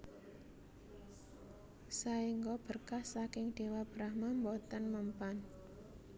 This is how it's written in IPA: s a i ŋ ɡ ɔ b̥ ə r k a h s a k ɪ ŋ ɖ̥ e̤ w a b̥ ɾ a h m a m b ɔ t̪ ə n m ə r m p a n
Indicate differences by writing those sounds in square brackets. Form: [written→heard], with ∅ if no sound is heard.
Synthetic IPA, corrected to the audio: s a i ŋ ɡ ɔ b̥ ə r k a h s a k ɪ ŋ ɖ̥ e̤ w a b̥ ɾ a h m a m b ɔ t̪ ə n m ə [r→∅] m p a n